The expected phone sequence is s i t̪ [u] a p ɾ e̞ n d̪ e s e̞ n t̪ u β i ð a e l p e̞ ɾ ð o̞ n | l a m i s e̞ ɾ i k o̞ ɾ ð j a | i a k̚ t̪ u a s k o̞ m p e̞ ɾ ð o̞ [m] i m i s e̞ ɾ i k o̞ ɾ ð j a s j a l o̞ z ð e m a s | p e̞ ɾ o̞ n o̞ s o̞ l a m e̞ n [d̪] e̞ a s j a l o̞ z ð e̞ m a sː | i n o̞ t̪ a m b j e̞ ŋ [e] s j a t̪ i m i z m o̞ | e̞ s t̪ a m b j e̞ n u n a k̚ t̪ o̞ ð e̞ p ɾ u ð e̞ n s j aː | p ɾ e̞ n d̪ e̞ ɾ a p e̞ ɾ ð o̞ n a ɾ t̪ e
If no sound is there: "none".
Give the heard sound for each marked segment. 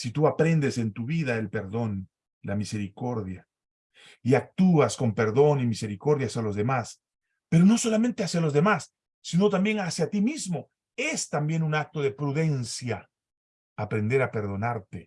u, n, t̪, a

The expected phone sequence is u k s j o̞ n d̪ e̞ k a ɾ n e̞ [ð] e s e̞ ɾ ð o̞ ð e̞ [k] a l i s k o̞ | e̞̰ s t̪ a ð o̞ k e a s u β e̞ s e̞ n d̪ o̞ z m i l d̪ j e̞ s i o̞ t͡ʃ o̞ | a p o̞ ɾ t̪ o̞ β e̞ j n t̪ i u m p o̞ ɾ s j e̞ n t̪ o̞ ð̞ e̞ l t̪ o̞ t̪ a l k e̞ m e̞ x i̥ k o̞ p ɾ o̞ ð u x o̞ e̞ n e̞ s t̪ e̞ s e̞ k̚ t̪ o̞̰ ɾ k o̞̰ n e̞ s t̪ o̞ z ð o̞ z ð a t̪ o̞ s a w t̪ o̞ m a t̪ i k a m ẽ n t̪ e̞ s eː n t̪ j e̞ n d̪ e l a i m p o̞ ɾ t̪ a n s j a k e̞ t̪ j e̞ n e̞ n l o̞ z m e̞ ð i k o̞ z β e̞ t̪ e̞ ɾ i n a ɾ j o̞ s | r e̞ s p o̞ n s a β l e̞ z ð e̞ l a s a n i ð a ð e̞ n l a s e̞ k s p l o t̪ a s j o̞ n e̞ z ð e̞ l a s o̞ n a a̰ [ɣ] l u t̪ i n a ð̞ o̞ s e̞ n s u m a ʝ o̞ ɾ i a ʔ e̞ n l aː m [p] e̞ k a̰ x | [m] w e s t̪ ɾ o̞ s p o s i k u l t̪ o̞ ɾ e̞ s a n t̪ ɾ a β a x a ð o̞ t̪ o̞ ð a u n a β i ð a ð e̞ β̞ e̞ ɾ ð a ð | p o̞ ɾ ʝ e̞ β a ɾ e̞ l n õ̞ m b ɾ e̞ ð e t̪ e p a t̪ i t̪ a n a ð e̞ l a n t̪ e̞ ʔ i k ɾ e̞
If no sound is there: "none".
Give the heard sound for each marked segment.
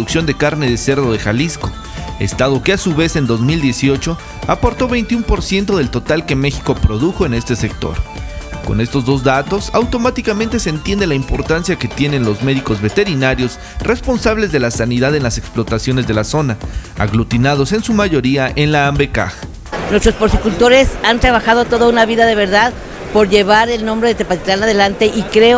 ð, x, ɣ, b, n

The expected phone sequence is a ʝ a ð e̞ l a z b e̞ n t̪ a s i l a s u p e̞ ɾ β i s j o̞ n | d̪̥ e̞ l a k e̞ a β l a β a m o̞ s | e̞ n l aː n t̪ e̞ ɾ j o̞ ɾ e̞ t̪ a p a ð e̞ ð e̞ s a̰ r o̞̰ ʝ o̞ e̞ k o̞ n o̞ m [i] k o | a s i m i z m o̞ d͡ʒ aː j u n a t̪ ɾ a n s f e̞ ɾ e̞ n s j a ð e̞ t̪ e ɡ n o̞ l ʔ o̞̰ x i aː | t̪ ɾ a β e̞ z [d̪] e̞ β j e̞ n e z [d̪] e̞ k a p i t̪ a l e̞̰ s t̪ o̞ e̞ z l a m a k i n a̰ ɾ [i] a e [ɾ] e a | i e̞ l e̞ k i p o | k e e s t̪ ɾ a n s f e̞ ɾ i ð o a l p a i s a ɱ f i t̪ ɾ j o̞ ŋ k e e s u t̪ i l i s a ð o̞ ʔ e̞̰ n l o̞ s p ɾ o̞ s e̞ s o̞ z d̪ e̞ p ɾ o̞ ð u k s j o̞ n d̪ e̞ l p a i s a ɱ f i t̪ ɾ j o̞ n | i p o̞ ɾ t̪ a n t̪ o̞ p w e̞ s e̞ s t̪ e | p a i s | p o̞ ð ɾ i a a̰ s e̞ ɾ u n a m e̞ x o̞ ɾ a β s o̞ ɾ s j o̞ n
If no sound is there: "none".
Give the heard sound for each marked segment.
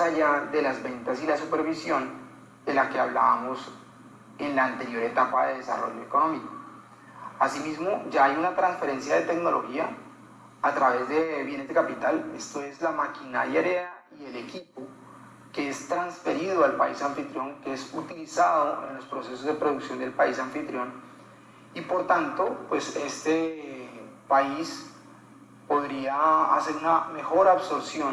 i, d̪, d̪, j, ɾ

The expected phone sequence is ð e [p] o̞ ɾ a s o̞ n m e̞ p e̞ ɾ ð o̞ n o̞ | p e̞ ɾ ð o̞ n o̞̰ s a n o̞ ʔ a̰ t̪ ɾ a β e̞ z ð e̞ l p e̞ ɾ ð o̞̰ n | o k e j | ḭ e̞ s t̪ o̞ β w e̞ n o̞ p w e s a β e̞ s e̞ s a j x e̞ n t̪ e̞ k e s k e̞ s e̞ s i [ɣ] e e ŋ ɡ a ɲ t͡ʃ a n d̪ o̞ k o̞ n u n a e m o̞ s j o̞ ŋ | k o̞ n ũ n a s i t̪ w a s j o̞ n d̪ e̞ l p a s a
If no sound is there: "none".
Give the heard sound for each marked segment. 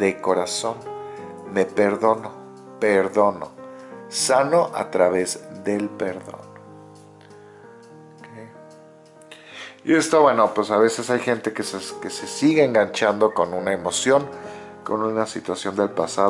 k, ɣ

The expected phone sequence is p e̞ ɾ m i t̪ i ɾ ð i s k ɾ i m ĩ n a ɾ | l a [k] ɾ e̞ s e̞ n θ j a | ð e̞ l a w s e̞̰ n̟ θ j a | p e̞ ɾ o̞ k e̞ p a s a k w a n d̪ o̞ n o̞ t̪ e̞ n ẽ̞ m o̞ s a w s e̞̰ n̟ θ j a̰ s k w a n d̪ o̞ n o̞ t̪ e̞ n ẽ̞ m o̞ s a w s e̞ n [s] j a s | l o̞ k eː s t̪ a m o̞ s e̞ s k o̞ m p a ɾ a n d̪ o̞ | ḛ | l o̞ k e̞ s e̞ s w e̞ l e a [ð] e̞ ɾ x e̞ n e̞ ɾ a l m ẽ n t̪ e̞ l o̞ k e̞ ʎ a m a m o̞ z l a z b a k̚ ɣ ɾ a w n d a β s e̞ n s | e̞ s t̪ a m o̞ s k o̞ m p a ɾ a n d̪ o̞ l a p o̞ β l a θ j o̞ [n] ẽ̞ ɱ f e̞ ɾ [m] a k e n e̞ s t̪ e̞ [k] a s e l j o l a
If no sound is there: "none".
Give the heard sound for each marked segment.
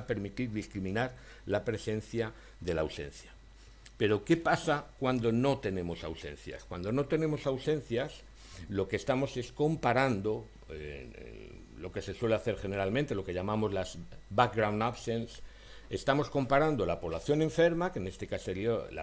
p, θ, θ, n, m, k

